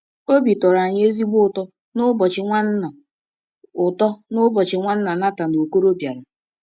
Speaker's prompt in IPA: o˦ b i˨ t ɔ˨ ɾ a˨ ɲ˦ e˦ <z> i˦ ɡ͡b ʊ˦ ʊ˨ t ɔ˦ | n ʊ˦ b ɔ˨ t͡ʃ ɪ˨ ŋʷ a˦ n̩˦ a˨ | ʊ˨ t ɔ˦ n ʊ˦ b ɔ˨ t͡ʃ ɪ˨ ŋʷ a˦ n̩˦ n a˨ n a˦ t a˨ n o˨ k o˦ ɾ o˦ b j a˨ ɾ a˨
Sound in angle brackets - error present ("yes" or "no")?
no